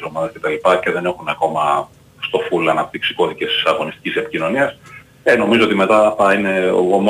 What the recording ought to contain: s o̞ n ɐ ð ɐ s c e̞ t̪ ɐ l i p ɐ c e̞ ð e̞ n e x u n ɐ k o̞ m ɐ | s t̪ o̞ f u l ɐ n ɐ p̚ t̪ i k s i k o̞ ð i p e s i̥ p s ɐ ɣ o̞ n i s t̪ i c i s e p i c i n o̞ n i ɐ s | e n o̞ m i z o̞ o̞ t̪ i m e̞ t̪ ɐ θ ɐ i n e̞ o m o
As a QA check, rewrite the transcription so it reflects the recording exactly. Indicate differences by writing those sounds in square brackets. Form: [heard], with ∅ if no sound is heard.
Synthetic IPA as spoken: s o̞ [m] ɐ ð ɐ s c e̞ t̪ ɐ l i p ɐ c e̞ ð e̞ n e x u n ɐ k o̞ m ɐ | s t̪ o̞ f u l ɐ n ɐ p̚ t̪ i k s i k o̞ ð i [c] e s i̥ [∅] s ɐ ɣ o̞ n i s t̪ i c i s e p i c i n o̞ n i ɐ s | e n o̞ m i z o̞ o̞ t̪ i m e̞ t̪ ɐ θ ɐ i n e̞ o m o